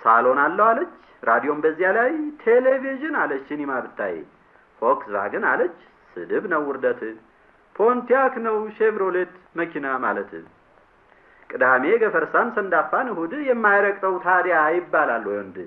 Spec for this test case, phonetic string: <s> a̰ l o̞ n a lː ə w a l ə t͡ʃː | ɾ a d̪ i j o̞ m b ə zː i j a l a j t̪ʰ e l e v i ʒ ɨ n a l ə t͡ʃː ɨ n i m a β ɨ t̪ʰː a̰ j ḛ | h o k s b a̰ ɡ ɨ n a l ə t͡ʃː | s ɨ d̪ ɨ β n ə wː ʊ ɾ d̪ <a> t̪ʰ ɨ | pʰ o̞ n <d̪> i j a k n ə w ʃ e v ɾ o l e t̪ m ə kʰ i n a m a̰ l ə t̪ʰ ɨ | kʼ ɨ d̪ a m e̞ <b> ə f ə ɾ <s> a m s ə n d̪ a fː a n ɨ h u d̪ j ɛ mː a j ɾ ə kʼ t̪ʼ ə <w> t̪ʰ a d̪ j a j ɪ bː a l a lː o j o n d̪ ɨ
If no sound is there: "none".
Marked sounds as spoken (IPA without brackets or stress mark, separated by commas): s, ə, t̪, ɡ, s, w